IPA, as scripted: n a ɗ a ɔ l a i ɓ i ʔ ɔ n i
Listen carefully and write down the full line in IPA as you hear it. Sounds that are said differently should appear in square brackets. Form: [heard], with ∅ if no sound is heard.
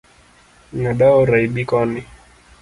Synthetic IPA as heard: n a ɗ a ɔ [ɾ] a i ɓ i [k] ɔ n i